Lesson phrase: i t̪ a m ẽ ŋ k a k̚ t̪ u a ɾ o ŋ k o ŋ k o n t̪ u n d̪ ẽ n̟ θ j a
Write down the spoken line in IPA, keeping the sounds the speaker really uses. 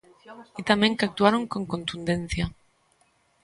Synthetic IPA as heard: i t̪ a m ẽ ŋ k a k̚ t̪ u a ɾ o ŋ k o ŋ k o n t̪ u n d̪ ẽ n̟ θ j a